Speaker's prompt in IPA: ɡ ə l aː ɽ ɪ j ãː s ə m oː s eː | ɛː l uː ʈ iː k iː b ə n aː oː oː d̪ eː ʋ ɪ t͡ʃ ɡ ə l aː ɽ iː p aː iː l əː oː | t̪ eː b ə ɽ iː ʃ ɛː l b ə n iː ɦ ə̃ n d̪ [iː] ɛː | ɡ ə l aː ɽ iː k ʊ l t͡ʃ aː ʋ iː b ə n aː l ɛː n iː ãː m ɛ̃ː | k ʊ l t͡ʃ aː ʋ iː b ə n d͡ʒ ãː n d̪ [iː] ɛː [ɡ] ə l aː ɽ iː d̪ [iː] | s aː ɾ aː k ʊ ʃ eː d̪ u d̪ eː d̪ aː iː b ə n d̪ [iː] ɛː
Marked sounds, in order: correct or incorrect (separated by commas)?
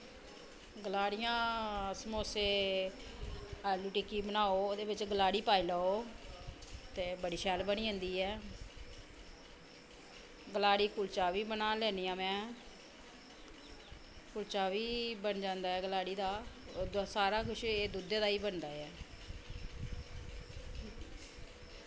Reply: correct, incorrect, correct, incorrect, incorrect